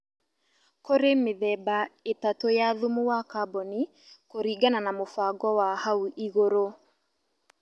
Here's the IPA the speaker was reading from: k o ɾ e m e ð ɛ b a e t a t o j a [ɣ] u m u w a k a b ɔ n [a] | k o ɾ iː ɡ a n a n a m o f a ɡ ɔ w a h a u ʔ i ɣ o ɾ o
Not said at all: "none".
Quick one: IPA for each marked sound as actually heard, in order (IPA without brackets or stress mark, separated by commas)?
ð, i